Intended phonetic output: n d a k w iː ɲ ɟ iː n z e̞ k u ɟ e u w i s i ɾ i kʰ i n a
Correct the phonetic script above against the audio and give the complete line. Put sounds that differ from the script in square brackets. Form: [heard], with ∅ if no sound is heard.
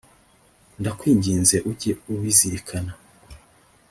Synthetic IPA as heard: n d a k w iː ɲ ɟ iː n z e̞ [ʔ] u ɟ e u w i [z] i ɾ i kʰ [a] n a